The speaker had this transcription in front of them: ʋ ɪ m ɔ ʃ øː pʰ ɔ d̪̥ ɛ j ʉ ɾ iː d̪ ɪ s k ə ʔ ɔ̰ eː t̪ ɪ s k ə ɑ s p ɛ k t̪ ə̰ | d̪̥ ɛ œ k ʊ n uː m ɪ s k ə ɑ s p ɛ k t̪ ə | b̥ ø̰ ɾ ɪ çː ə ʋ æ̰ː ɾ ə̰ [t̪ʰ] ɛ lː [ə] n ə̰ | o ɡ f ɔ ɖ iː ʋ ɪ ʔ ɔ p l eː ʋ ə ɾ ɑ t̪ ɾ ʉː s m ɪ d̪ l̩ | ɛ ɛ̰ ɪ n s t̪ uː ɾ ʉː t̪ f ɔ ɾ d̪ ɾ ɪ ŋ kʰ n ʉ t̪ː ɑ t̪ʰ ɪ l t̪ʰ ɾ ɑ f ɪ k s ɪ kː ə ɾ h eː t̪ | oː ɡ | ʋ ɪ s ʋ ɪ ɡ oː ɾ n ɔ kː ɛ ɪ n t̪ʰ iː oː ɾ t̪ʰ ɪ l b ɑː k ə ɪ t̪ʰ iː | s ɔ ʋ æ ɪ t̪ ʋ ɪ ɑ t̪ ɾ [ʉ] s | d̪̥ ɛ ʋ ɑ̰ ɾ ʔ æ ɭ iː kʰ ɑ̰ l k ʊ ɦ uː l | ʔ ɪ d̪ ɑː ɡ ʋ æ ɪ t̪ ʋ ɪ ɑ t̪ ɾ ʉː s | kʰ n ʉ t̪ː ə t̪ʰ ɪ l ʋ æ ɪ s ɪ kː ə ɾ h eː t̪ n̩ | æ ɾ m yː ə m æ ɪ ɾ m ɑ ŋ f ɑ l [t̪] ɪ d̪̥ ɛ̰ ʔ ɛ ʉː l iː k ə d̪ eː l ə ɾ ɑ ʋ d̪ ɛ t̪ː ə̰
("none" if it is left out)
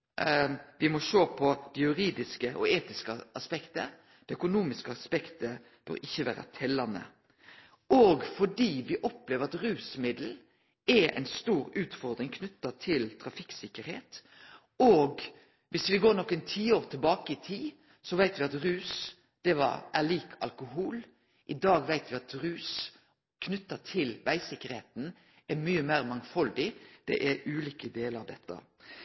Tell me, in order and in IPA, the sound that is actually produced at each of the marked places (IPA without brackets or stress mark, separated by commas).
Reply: t̪ʰ, ɑ, ʉː, d̪